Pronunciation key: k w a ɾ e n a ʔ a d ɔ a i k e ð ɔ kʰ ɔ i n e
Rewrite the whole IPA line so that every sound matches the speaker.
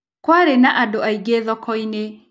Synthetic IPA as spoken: k w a ɾ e n a ʔ a d o a i ɡ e ð ɔ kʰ ɔ i n e